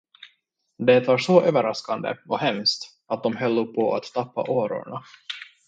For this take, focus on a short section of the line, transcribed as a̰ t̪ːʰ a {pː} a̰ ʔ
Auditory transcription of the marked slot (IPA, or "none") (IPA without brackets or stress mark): pː